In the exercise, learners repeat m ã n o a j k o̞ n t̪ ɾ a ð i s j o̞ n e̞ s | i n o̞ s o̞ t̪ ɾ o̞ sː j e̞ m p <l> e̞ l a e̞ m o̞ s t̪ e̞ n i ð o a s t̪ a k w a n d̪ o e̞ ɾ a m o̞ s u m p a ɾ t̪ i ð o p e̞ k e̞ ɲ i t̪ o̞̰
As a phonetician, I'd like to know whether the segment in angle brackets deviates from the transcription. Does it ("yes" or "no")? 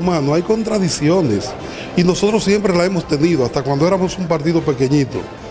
yes